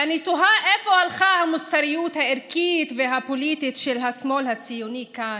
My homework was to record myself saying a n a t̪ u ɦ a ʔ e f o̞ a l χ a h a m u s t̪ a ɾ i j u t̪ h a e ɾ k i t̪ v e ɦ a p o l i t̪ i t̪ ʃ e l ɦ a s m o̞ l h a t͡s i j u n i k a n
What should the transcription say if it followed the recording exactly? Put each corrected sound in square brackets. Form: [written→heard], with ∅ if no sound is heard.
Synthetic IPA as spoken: a n [a→i] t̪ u ɦ a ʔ e f o̞ a l χ a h a m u s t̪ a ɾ i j u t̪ h a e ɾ k i t̪ v e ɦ a p o l i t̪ i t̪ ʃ e l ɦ a s m o̞ l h a t͡s i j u n i k a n